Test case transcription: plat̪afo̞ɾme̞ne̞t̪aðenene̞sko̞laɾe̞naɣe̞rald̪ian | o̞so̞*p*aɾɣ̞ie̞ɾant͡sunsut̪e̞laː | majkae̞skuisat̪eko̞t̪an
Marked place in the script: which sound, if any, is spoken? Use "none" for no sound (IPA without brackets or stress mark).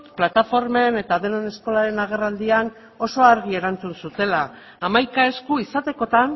none